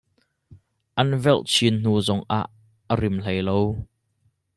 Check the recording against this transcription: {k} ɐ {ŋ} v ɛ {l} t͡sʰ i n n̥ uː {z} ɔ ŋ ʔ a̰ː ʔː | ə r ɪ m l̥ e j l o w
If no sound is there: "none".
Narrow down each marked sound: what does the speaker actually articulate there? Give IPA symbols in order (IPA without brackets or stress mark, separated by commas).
ʔ, n, l, z